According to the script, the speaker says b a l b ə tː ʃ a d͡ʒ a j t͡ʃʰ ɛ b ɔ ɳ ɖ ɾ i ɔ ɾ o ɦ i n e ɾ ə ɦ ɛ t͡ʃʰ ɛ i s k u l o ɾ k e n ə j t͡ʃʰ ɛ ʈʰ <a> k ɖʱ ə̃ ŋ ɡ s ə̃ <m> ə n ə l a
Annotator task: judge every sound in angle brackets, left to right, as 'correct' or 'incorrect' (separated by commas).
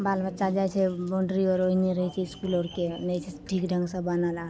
incorrect, incorrect